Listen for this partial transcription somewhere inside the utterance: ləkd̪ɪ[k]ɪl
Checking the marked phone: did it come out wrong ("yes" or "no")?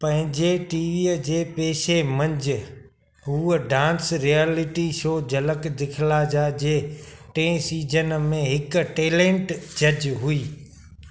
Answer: yes